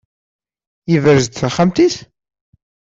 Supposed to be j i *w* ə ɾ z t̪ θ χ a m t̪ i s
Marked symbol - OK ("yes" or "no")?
no